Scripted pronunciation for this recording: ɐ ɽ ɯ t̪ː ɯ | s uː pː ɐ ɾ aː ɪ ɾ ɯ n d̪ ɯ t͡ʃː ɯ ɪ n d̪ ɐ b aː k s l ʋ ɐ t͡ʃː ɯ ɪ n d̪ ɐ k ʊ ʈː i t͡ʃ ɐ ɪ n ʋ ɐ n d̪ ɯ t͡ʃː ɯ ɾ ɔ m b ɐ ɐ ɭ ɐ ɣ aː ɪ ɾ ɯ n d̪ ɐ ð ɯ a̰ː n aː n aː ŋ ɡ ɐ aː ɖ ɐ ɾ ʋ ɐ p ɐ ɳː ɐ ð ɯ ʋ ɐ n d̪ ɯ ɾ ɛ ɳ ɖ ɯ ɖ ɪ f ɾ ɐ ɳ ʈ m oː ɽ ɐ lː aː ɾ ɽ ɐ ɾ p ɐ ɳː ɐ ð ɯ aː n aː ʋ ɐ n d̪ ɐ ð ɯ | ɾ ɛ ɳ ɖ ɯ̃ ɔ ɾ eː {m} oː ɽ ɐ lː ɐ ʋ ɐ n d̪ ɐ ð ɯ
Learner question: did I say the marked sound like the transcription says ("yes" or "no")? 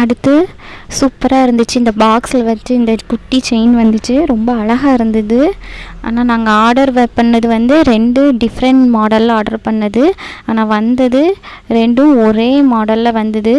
yes